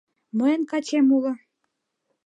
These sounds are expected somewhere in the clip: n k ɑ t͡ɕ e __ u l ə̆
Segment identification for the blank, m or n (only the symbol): m